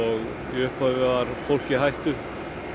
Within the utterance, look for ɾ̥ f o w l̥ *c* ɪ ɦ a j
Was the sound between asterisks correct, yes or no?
yes